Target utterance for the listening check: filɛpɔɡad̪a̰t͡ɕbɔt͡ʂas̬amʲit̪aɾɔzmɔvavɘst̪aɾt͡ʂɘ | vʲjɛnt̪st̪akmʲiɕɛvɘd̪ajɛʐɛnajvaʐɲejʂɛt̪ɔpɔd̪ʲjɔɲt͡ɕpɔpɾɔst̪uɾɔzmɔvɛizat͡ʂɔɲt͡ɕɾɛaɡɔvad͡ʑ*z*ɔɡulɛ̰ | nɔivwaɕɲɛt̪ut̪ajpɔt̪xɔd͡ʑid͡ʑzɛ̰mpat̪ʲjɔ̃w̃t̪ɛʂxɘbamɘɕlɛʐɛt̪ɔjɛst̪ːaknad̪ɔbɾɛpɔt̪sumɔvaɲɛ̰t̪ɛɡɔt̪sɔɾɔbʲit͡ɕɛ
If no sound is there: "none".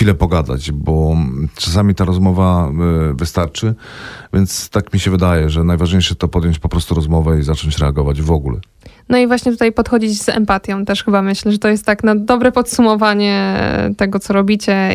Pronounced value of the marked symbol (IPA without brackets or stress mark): v